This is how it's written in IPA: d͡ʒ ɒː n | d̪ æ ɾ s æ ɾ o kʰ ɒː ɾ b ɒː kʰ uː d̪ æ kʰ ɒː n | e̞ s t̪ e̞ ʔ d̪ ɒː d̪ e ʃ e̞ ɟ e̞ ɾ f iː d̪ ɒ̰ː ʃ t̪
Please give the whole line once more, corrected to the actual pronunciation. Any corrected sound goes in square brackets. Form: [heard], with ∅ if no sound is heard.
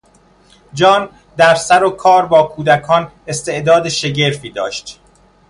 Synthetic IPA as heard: d͡ʒ ɒː n | d̪ æ ɾ s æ ɾ o kʰ ɒː ɾ b ɒː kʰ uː d̪ æ kʰ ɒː n | e̞ s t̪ e̞ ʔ d̪ ɒː d̪ e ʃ e̞ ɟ e̞ ɾ f iː d̪ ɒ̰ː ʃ t̪